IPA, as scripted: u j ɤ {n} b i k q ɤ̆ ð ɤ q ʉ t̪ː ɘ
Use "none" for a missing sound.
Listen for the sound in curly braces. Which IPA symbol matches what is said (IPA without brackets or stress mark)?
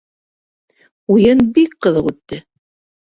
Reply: n